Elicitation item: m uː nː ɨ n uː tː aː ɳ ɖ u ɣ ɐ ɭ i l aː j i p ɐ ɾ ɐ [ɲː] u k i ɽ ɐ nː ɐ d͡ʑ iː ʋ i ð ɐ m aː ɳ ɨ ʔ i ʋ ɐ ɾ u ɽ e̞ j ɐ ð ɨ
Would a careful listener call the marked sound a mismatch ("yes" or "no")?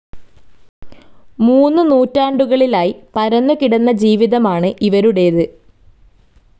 yes